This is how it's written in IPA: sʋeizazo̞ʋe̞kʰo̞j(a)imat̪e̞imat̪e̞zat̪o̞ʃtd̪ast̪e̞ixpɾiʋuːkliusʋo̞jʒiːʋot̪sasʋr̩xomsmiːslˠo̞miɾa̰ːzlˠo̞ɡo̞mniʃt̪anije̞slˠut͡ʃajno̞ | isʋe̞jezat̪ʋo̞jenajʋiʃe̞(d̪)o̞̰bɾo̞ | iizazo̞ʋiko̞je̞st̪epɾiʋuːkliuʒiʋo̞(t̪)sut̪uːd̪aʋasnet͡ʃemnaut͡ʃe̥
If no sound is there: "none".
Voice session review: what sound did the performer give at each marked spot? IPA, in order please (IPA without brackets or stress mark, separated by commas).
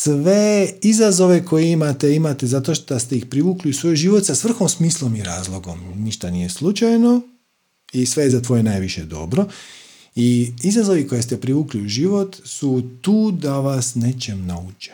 e, d̪, t̪